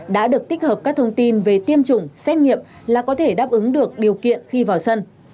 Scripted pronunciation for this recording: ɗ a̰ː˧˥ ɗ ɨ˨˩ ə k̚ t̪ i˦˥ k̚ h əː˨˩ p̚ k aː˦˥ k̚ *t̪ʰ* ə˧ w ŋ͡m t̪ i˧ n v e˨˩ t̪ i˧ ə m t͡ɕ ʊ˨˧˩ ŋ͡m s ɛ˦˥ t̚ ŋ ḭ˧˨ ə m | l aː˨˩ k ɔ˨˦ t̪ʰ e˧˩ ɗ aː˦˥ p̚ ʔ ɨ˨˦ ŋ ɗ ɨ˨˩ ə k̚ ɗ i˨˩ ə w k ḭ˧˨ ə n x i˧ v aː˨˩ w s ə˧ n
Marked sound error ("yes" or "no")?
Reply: no